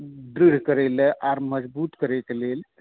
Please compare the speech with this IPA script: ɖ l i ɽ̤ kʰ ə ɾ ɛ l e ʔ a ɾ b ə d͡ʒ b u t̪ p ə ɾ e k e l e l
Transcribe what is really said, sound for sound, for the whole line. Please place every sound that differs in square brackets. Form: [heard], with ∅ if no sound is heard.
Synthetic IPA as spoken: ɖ [ɾ] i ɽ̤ [k] ə ɾ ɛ l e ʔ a ɾ [m] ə d͡ʒ b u t̪ [k] ə ɾ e k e l e l